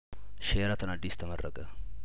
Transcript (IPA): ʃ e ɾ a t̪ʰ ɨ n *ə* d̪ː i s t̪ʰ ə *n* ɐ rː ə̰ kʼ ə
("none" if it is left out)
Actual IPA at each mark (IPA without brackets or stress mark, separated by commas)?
a, m